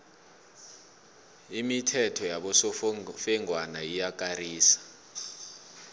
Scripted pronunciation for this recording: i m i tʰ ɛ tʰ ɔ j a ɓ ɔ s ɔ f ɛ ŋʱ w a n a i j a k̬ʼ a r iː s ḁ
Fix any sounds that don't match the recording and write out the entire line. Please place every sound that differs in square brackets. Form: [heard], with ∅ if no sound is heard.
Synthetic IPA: i m i tʰ ɛ tʰ ɔ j a ɓ ɔ s ɔ f ɛ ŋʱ w a n a i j a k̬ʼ a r iː s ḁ